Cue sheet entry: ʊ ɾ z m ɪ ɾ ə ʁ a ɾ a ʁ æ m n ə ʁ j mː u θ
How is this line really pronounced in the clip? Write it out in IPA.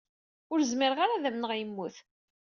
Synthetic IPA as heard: ʊ ɾ z m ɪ ɾ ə ʁ a ɾ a ð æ m n ə ʁ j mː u θ